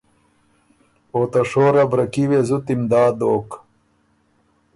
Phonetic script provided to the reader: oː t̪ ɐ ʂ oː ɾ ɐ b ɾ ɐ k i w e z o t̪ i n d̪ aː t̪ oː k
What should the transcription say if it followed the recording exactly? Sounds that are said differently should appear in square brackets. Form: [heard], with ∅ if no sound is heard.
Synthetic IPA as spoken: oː t̪ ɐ ʂ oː ɾ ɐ b ɾ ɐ k i w e z [u] t̪ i [m] d̪ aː [d̪] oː k

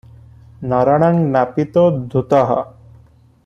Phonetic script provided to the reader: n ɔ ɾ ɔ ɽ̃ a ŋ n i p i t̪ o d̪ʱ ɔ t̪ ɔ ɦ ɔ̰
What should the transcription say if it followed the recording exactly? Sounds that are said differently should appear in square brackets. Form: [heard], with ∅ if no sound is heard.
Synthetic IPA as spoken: n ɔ ɾ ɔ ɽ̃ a ŋ n [a] p i t̪ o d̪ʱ [u] t̪ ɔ ɦ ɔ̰

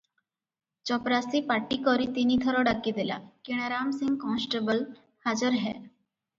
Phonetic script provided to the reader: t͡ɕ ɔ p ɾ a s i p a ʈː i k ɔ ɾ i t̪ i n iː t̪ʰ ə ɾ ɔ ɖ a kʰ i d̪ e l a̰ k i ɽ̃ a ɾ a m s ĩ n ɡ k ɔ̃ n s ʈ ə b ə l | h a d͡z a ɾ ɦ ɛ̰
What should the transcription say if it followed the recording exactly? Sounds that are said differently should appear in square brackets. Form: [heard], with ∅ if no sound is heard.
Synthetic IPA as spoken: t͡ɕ ɔ p ɾ a s i p a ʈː i k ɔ ɾ i t̪ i n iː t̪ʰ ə ɾ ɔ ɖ a [k] i d̪ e l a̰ k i ɽ̃ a ɾ a m s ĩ [ŋ] ɡ k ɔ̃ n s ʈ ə b ə l | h a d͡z [ə] ɾ ɦ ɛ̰

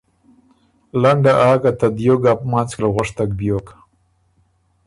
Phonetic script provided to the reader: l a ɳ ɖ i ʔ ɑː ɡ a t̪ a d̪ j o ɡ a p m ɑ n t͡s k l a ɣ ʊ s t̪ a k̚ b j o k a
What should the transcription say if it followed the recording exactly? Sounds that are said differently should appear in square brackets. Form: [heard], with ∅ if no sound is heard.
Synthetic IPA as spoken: l a ɳ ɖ [a] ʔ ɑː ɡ a t̪ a d̪ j o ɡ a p m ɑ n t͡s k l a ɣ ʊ [ʂ] t̪ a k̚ b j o k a

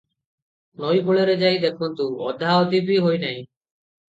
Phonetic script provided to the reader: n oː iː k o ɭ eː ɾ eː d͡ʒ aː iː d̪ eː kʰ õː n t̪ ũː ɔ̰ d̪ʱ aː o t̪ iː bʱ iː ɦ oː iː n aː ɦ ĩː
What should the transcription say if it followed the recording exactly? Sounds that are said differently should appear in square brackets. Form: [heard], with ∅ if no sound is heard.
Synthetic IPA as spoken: n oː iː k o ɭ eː ɾ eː d͡ʒ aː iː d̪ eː kʰ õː n t̪ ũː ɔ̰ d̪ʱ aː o t̪ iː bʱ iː ɦ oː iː n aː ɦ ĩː

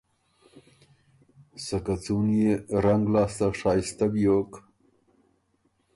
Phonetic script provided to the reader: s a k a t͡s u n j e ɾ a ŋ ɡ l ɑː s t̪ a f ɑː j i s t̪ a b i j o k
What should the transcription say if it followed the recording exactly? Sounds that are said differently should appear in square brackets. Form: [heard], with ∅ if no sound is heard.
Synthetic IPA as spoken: s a k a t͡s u n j e ɾ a ŋ ɡ l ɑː s t̪ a [ʂ] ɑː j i s t̪ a b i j o k

